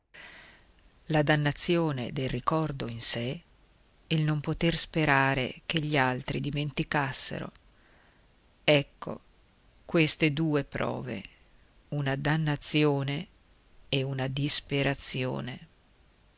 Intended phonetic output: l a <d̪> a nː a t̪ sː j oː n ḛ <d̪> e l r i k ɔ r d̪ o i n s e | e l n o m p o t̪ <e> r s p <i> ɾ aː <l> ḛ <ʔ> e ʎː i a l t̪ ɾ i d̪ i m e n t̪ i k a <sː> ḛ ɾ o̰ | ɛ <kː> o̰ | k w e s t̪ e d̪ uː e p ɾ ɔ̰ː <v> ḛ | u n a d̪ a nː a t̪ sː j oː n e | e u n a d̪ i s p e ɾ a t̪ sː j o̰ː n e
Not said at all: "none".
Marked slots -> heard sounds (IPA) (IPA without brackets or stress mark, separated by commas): d̪, d̪, e, e, ɾ, k, sː, kː, v